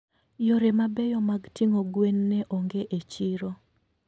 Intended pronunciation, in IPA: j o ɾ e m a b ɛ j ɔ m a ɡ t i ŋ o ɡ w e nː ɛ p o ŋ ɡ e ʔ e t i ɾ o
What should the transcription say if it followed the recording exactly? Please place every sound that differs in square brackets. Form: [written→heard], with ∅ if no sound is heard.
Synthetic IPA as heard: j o ɾ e m a b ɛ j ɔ m a ɡ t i ŋ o ɡ w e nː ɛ [p→ʔ] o ŋ ɡ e ʔ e [t→t͡ʃ] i ɾ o